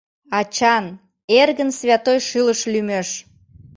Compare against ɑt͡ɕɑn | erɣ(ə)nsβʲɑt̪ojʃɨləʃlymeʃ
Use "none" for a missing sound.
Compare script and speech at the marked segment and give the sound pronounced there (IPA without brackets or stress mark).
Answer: ə